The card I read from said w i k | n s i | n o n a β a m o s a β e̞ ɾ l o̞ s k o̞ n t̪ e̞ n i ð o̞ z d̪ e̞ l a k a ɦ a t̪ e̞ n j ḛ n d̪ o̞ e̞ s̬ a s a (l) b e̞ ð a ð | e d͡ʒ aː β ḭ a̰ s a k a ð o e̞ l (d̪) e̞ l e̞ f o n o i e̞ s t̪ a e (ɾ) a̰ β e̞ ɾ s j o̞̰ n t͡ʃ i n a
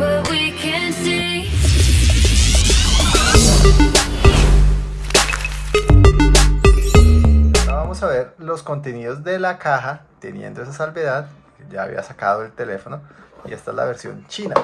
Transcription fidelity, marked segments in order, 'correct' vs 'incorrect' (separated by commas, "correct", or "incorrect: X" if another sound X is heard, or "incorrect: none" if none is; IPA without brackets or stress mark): correct, incorrect: t̪, incorrect: l